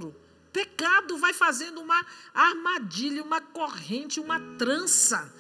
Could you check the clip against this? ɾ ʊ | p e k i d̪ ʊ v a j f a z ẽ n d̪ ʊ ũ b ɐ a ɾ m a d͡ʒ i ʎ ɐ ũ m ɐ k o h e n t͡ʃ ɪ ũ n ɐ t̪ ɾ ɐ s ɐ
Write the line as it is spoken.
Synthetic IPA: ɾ ʊ | p e k a d̪ ʊ v a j f a z ẽ n d̪ ʊ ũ m ɐ a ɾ m a d͡ʒ i ʎ ɐ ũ m ɐ k o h ẽ n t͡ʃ ɪ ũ m ɐ t̪ ɾ ɐ̃ s ɐ